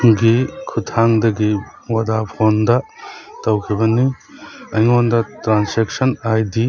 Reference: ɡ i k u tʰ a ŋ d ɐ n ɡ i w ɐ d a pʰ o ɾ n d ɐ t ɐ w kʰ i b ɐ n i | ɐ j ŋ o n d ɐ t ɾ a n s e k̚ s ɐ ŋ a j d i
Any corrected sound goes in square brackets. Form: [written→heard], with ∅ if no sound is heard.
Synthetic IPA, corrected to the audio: ɡ i [k→kʰ] u tʰ a ŋ d ɐ [n→∅] ɡ i w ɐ d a pʰ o [ɾ→∅] n d ɐ t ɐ w kʰ i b ɐ n i | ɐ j ŋ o n d ɐ t ɾ a n s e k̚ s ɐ [ŋ→n] a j d i